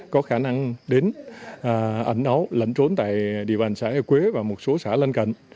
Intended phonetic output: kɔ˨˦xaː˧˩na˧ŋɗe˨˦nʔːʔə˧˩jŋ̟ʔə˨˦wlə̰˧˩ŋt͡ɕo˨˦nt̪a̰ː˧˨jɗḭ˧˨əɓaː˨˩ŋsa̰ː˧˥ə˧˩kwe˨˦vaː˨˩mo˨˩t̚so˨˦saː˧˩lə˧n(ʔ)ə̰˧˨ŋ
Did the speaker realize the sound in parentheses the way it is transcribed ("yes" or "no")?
no